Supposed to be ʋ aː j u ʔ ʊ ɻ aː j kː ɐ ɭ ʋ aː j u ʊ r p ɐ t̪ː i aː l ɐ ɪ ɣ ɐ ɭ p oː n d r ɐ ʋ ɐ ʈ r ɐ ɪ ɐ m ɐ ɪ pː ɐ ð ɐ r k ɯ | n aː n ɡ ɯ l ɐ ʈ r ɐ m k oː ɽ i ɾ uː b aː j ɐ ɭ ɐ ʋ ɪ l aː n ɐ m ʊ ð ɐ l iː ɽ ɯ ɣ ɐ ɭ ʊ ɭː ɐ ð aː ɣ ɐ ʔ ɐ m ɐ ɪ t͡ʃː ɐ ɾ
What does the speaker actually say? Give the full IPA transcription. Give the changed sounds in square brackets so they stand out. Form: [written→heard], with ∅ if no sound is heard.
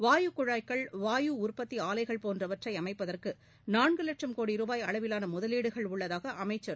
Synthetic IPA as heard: ʋ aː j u [ʔ→k] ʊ ɻ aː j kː ɐ ɭ ʋ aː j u ʊ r p ɐ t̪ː i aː l ɐ ɪ ɣ ɐ ɭ p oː n d r ɐ ʋ ɐ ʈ r ɐ ɪ ɐ m ɐ ɪ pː ɐ ð ɐ r k ɯ | n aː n ɡ ɯ l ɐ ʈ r ɐ m k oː ɽ i ɾ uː b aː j ɐ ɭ ɐ ʋ ɪ l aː n ɐ m ʊ ð ɐ l iː ɽ ɯ ɣ ɐ ɭ ʊ ɭː ɐ ð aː ɣ ɐ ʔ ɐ m ɐ ɪ t͡ʃː ɐ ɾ

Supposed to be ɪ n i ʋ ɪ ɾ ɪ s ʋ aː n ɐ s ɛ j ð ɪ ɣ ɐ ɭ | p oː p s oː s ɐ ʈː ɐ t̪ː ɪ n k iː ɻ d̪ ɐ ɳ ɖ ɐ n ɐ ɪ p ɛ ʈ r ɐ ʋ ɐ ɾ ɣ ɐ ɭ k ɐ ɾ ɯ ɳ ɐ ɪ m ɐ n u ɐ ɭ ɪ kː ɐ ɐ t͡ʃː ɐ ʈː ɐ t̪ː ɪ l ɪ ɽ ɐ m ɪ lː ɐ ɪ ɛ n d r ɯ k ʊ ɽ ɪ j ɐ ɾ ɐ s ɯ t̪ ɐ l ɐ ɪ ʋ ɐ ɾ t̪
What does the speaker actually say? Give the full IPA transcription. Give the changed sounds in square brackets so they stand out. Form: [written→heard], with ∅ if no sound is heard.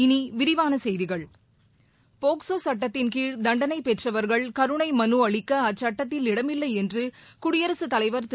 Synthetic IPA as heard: ɪ n i ʋ ɪ ɾ ɪ [s→∅] ʋ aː n ɐ s ɛ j ð ɪ ɣ ɐ ɭ | p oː [p→k] s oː s ɐ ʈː ɐ t̪ː ɪ n k iː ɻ d̪ ɐ ɳ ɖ ɐ n ɐ ɪ p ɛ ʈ r ɐ ʋ ɐ ɾ ɣ ɐ ɭ k ɐ ɾ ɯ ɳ ɐ ɪ m ɐ n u ɐ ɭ ɪ kː ɐ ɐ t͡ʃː ɐ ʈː ɐ t̪ː ɪ l ɪ ɽ ɐ m ɪ lː ɐ ɪ ɛ n d r ɯ k ʊ ɽ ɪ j ɐ ɾ ɐ s ɯ t̪ ɐ l ɐ ɪ ʋ ɐ ɾ t̪

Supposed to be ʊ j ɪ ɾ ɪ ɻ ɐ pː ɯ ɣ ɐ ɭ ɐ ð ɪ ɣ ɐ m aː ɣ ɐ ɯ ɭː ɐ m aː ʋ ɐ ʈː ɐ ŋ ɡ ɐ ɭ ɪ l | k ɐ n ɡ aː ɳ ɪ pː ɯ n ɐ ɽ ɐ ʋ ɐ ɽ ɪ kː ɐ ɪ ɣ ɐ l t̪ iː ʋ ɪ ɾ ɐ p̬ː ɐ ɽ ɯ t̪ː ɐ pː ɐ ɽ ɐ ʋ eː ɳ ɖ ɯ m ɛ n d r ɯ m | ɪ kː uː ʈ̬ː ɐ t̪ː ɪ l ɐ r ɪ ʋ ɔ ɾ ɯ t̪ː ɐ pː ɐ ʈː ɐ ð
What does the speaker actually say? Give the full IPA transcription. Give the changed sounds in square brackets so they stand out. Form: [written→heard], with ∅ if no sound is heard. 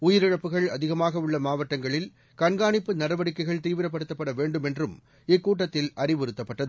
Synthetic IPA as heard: ʊ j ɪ ɾ ɪ ɻ ɐ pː ɯ ɣ ɐ ɭ ɐ ð ɪ ɣ ɐ m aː ɣ ɐ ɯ ɭː ɐ m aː ʋ ɐ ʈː ɐ ŋ ɡ ɐ ɭ ɪ l | k ɐ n ɡ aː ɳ ɪ pː ɯ n ɐ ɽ ɐ ʋ ɐ ɽ ɪ kː ɐ ɪ ɣ ɐ [l→ɭ] t̪ iː ʋ ɪ ɾ ɐ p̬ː ɐ ɽ ɯ t̪ː ɐ pː ɐ ɽ ɐ ʋ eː ɳ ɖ ɯ m ɛ n d r ɯ m | ɪ kː uː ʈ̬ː ɐ t̪ː ɪ l ɐ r ɪ ʋ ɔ ɾ ɯ t̪ː ɐ pː ɐ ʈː ɐ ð

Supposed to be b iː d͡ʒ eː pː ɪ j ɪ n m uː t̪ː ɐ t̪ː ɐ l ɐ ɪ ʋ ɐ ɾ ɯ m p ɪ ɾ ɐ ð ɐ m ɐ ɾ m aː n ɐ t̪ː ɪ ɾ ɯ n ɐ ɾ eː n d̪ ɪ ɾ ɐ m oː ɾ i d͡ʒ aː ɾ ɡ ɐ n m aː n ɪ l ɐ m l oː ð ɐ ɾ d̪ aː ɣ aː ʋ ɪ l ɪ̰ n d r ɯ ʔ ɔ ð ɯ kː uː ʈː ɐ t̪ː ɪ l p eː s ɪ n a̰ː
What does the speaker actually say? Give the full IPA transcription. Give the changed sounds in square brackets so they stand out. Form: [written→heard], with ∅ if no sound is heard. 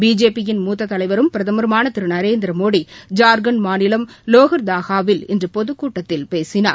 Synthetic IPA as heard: b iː d͡ʒ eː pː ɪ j ɪ n m uː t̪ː ɐ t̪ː ɐ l ɐ ɪ ʋ ɐ ɾ ɯ m p ɪ ɾ ɐ ð ɐ m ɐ ɾ m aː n ɐ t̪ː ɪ ɾ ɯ n ɐ ɾ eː n d̪ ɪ ɾ ɐ m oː [ɾ→ɽ] i d͡ʒ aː ɾ ɡ ɐ n m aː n ɪ l ɐ m l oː [ð→ɣ] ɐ ɾ d̪ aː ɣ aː ʋ ɪ l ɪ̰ n d r ɯ [ʔ→p] ɔ ð ɯ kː uː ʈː ɐ t̪ː ɪ l p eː s ɪ n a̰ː

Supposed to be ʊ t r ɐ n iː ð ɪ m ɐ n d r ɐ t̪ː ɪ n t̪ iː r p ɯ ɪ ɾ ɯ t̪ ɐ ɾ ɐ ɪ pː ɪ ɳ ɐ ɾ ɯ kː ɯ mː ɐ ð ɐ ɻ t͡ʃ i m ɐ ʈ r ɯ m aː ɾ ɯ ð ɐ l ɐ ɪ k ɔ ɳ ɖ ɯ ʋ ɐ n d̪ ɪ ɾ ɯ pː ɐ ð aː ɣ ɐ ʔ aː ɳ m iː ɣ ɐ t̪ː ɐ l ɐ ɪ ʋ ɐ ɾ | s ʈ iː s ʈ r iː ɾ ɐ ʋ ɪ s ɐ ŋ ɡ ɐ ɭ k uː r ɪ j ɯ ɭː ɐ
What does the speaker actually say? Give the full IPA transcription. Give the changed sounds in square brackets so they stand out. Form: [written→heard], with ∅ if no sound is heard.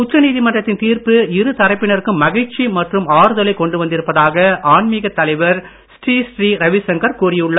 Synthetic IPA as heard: ʊ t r ɐ n iː ð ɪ m ɐ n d r ɐ t̪ː ɪ n t̪ iː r p ɯ ɪ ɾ ɯ t̪ ɐ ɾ ɐ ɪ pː ɪ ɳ ɐ ɾ ɯ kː ɯ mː ɐ [ð→ɣ] ɐ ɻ t͡ʃ i m ɐ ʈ r ɯ m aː ɾ ɯ ð ɐ l ɐ ɪ k ɔ ɳ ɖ ɯ ʋ ɐ n d̪ ɪ ɾ ɯ pː ɐ ð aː ɣ ɐ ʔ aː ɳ m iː ɣ ɐ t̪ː ɐ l ɐ ɪ ʋ ɐ ɾ | s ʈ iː s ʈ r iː ɾ ɐ ʋ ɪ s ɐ ŋ ɡ ɐ [ɭ→ɾ] k uː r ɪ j ɯ ɭː ɐ

